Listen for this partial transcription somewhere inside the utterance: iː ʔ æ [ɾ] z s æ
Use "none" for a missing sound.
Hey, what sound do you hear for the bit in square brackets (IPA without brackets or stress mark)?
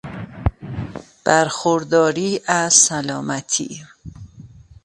none